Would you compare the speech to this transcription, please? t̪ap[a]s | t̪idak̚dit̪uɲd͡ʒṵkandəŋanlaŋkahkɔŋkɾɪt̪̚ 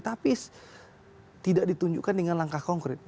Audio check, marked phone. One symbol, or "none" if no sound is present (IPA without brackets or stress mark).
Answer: i